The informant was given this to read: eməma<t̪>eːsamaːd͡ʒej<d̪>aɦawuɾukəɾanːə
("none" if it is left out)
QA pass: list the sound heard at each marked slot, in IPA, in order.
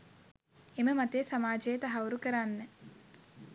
t̪, t̪

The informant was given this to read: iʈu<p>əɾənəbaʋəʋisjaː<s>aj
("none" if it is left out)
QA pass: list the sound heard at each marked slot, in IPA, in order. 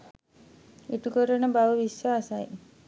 k, s

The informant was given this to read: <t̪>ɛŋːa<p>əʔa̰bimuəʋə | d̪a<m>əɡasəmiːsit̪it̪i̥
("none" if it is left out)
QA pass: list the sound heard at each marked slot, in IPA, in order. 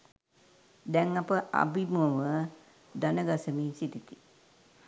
d̪, p, n

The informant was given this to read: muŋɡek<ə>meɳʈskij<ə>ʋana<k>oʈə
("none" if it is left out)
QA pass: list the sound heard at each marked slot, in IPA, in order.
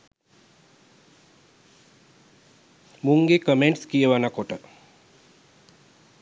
ə, ə, k

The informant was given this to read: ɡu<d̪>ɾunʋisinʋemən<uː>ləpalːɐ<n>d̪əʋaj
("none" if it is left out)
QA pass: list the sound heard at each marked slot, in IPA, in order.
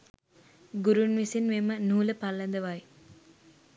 none, uː, n

